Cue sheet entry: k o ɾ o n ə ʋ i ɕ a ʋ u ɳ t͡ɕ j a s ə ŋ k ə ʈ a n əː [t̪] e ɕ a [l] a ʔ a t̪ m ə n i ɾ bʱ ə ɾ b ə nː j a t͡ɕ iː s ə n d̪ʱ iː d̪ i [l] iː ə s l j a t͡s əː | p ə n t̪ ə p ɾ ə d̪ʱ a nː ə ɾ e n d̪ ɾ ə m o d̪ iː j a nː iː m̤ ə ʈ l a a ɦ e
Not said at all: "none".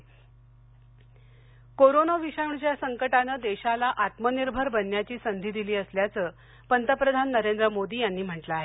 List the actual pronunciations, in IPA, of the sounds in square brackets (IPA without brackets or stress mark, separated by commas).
d̪, l, l